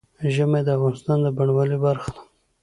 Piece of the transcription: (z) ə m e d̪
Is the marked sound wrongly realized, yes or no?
yes